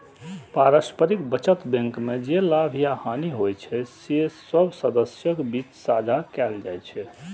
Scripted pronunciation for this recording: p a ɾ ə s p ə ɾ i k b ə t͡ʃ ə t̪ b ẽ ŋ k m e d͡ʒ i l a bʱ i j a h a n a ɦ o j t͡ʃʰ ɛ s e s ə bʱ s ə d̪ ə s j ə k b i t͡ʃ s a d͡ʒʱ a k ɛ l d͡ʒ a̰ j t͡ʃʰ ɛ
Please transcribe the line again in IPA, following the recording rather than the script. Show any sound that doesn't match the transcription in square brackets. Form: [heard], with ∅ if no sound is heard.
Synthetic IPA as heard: p a ɾ ə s p ə ɾ i k b ə t͡ʃ ə t̪ b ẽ ŋ k m e d͡ʒ [e] l a bʱ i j a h a n [i] ɦ o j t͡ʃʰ ɛ s e s ə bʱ s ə d̪ ə s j ə k b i t͡ʃ s a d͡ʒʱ a k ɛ l d͡ʒ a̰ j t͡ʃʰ ɛ